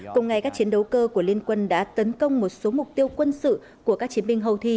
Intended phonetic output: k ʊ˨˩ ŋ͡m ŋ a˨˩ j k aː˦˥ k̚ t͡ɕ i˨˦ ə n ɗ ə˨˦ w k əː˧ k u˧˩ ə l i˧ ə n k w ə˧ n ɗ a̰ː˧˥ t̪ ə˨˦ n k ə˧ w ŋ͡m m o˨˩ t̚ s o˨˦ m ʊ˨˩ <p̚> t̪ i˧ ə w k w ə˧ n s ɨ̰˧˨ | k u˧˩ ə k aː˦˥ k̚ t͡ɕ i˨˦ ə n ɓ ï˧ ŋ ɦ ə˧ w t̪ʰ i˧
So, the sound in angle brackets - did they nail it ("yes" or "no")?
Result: no